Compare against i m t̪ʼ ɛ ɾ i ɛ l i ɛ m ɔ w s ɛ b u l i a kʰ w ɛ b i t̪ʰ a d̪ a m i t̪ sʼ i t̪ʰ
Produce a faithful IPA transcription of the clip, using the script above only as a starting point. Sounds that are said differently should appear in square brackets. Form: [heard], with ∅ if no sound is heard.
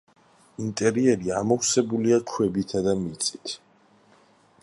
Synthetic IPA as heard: i [n] t̪ʼ ɛ ɾ i ɛ [ɾ] i [a] m ɔ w s ɛ b u l i a kʰ w ɛ b i t̪ʰ a d̪ a m i t̪ sʼ i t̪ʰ